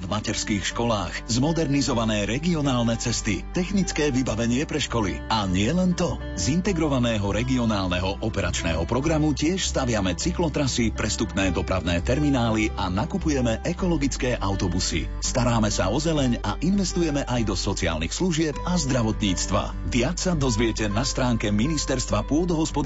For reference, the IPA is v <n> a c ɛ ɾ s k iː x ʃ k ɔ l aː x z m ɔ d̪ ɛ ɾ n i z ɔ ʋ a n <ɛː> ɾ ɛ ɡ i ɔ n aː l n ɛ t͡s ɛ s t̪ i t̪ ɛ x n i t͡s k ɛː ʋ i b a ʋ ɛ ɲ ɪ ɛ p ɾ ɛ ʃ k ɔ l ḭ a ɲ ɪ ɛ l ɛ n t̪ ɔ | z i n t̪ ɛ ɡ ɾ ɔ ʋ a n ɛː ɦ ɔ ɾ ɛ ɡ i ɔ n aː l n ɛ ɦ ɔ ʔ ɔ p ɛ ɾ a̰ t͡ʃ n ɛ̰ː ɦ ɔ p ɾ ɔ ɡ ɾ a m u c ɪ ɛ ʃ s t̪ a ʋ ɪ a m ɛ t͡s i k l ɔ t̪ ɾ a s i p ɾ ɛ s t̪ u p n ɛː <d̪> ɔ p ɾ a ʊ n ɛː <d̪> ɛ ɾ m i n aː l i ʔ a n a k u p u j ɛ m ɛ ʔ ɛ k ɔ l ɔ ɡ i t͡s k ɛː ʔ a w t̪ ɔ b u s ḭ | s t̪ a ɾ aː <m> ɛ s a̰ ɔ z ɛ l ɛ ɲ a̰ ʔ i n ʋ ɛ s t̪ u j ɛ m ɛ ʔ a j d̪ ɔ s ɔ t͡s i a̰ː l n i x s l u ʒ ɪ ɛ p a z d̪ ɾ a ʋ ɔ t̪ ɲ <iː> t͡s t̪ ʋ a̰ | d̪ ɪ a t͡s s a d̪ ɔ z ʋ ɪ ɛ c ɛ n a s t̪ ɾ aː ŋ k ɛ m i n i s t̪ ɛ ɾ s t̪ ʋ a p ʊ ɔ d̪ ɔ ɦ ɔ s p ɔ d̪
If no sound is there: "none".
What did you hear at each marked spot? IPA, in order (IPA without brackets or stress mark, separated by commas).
m, ɛː, d̪, t̪, m, iː